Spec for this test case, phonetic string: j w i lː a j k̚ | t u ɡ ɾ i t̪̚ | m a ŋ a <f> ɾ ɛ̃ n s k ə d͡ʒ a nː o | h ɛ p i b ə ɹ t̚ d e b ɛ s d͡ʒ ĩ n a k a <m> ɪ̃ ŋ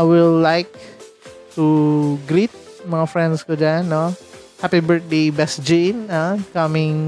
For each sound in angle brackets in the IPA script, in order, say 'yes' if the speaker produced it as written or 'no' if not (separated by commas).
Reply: yes, yes